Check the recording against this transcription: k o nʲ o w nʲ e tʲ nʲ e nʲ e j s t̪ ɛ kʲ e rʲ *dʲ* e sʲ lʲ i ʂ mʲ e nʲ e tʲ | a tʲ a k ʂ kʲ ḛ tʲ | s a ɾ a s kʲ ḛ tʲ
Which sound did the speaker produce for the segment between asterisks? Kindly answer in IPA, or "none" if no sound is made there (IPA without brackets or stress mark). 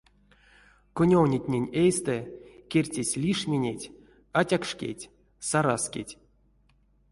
tʲ